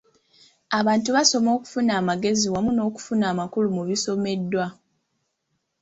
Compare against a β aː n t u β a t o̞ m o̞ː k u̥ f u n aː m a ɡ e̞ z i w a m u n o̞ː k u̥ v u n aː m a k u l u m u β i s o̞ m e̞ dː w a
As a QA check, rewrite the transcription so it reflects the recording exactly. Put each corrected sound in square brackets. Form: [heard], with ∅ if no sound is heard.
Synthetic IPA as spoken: a β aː n t u β a [s] o̞ m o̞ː k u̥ f u n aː m a ɡ e̞ z i w a m u n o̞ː k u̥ [f] u n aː m a k u l u m u β i s o̞ m e̞ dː w a